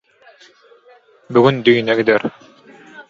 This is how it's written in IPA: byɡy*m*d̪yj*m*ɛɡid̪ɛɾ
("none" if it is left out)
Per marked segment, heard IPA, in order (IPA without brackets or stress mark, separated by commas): n, n